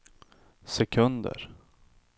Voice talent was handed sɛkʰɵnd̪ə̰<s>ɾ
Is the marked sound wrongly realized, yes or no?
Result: yes